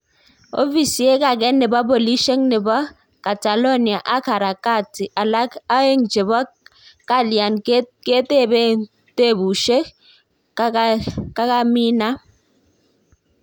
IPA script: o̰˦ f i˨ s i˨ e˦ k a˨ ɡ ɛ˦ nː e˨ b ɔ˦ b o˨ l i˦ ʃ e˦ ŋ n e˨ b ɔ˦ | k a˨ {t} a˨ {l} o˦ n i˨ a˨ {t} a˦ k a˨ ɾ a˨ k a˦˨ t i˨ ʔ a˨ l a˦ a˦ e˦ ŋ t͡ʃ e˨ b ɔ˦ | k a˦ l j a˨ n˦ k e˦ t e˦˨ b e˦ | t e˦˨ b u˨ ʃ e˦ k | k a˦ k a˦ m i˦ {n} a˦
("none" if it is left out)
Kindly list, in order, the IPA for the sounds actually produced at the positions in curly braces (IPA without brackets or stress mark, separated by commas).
t, l, ʔ, n